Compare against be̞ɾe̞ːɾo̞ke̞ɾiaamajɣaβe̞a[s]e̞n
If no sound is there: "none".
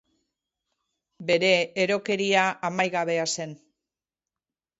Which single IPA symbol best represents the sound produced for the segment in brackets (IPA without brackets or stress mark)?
s